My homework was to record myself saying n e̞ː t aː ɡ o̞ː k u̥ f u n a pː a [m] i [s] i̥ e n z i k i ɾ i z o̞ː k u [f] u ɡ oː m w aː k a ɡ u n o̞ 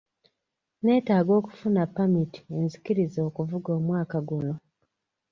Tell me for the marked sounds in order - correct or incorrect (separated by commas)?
correct, incorrect, incorrect